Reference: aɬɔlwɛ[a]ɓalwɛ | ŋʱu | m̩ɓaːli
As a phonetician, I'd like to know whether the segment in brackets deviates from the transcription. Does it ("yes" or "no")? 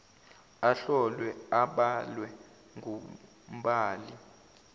no